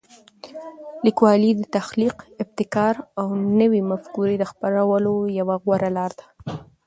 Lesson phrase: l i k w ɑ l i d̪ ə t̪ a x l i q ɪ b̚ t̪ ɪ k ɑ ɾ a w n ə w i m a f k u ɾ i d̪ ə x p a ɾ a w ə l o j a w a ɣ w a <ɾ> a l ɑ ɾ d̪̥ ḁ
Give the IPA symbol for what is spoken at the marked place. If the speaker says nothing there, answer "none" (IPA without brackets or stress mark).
ɾ